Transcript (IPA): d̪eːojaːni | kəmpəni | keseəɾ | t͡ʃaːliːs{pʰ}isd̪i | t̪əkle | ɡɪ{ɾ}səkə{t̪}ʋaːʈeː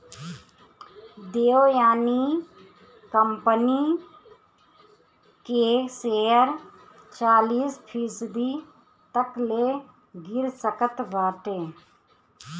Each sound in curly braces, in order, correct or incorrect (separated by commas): correct, correct, correct